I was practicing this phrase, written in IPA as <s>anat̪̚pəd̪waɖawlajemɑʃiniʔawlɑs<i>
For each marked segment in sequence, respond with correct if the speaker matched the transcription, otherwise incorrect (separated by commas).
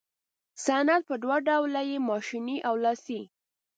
correct, correct